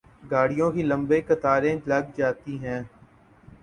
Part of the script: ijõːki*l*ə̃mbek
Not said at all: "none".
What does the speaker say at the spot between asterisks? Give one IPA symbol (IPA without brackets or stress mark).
l